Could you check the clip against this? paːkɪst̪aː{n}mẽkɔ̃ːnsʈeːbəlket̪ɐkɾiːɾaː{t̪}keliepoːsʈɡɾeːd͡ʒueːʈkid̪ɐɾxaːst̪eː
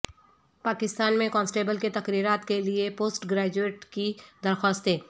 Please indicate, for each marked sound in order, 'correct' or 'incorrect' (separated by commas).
correct, correct